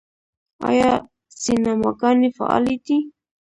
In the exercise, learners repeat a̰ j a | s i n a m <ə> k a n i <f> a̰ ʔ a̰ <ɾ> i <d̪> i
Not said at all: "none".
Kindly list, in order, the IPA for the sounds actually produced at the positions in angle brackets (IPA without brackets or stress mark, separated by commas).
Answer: a, f, l, t̪